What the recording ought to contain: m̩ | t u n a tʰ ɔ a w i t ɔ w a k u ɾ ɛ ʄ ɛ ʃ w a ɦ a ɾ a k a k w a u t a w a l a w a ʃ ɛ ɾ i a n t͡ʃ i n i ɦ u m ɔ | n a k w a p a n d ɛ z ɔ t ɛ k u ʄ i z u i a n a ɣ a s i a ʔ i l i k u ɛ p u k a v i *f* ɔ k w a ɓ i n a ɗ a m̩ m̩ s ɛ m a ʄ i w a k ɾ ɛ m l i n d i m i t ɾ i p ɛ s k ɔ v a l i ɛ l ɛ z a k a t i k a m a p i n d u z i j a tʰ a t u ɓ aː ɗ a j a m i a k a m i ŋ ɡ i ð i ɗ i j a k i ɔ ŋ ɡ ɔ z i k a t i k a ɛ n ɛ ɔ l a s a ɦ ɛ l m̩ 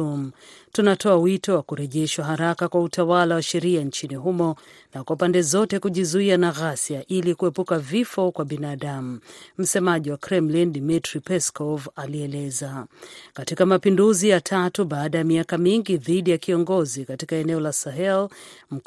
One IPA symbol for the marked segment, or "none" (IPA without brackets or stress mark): f